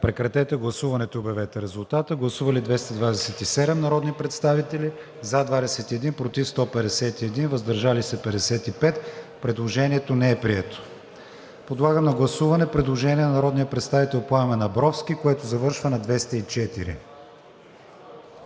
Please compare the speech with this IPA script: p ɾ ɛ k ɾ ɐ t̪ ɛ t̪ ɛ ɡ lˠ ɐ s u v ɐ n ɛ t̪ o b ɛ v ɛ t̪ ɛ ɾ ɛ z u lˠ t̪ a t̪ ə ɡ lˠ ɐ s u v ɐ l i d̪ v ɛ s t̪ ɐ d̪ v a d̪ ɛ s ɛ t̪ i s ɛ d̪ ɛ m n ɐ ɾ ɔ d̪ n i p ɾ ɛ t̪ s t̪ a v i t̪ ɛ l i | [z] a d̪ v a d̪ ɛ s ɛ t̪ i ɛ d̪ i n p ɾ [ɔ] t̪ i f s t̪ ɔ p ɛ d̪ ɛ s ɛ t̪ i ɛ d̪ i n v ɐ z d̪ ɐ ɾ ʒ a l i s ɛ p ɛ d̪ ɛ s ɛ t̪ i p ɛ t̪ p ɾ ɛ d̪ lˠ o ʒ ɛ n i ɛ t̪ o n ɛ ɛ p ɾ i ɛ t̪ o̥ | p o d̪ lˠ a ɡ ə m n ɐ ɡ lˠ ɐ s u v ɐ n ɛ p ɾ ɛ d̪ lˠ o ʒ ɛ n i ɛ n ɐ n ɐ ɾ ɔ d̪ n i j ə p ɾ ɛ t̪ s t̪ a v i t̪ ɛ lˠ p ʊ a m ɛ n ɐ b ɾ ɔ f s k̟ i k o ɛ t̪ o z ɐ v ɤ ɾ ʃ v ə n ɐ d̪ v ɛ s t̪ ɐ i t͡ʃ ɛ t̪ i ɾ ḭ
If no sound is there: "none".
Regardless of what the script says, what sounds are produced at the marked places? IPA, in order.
z, o

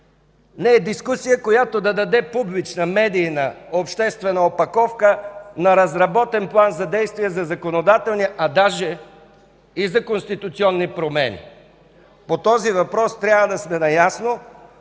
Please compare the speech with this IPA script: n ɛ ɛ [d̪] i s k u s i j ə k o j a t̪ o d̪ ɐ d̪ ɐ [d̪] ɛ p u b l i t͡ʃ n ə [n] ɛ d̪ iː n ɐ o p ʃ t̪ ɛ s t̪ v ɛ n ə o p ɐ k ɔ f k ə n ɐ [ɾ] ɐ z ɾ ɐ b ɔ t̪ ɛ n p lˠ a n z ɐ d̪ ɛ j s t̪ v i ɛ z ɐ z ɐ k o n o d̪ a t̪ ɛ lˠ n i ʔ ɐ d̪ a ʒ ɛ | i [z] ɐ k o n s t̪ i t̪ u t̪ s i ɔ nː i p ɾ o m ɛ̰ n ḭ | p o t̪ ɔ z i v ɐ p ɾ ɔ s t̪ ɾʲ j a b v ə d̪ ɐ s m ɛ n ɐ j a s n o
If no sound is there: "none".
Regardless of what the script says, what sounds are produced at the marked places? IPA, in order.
d̪, d̪, m, ɾ, z

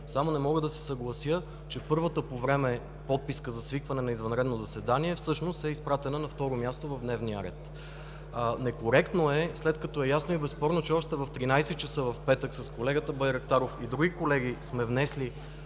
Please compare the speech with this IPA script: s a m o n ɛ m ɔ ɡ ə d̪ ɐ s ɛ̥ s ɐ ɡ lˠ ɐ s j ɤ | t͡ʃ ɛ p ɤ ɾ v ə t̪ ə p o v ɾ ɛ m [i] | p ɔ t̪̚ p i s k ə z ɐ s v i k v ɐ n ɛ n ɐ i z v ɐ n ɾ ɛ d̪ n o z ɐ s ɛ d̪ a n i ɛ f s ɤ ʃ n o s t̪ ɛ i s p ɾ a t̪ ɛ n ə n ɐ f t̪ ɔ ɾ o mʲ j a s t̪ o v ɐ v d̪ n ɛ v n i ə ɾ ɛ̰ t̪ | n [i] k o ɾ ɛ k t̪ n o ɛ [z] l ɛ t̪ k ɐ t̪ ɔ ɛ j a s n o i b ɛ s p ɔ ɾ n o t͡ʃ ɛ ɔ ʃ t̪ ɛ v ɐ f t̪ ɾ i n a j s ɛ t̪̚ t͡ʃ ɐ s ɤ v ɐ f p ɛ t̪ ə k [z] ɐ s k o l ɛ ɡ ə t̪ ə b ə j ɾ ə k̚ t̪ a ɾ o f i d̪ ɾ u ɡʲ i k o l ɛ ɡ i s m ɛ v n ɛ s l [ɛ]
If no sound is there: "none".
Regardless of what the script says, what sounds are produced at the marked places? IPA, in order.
ɛ, ɛ, s, s, i

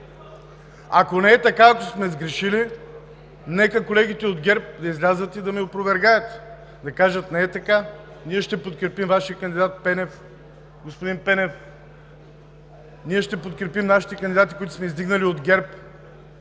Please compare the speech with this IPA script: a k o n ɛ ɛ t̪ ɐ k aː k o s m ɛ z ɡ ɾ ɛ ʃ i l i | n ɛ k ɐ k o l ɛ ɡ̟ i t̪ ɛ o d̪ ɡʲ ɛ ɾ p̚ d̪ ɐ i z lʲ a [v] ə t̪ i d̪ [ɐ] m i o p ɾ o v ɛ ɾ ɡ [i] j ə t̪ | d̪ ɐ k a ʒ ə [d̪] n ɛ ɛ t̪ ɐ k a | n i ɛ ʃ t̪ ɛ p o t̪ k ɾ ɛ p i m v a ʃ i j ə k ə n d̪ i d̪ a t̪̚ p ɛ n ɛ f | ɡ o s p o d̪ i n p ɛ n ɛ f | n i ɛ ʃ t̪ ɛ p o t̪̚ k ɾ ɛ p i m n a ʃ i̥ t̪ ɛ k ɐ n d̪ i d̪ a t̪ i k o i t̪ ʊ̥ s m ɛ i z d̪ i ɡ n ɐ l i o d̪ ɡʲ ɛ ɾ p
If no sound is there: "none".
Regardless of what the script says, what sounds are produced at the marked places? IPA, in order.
z, ɐ, a, t̪

